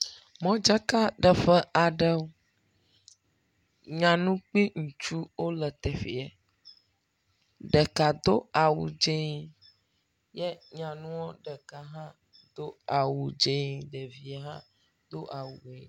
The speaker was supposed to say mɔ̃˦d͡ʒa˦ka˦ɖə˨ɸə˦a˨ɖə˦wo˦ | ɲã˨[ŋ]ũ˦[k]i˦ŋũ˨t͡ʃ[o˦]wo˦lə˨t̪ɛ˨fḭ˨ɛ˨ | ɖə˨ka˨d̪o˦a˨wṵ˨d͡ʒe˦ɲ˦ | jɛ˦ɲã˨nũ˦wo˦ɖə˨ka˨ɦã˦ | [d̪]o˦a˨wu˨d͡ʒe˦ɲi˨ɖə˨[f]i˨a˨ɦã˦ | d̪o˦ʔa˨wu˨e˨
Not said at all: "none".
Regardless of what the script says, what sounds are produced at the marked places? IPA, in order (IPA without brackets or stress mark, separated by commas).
n, k͡p, u˦, d̪, v